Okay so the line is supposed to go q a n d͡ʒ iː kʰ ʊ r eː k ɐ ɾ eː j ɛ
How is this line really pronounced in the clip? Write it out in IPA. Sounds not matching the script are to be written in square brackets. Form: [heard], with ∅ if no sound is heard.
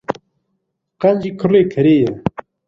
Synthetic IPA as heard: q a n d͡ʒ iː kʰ ʊ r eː [kʰ] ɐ ɾ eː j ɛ